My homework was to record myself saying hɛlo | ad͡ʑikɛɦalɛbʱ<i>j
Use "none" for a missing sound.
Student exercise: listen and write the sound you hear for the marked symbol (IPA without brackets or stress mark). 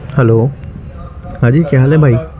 a